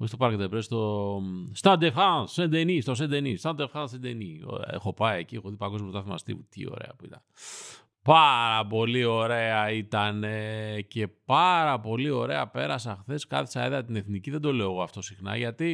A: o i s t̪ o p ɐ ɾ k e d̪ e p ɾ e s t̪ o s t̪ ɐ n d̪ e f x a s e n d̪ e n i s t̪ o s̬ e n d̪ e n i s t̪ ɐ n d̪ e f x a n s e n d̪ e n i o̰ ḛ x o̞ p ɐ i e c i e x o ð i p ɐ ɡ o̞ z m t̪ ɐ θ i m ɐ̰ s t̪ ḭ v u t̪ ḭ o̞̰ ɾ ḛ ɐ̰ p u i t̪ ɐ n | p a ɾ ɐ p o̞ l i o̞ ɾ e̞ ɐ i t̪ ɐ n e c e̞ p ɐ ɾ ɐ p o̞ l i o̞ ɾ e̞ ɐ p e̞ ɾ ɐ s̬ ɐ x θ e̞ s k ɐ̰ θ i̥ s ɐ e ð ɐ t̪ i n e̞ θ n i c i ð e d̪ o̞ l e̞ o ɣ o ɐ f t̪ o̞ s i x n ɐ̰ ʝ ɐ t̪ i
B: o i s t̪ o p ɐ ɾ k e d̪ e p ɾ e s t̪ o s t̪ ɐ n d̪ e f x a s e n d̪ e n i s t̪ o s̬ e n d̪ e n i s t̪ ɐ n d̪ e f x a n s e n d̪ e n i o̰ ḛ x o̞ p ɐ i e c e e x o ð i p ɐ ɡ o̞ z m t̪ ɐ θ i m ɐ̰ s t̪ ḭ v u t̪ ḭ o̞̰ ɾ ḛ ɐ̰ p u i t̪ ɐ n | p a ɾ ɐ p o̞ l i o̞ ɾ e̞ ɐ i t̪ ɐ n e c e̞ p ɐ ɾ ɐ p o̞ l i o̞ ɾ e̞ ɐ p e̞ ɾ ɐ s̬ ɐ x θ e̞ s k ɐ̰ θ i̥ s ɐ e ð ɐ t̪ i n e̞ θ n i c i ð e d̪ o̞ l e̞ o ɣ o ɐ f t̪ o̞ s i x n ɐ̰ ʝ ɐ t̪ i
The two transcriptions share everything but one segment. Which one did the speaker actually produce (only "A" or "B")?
A